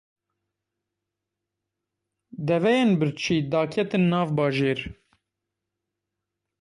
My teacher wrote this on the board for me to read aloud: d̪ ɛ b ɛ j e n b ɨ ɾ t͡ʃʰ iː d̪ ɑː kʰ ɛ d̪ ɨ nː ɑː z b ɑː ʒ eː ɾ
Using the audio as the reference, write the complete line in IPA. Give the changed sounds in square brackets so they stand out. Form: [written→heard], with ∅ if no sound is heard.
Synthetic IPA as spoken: d̪ ɛ [b→v] ɛ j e n b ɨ ɾ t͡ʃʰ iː d̪ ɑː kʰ ɛ [d̪→t̪] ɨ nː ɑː [z→v] b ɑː ʒ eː ɾ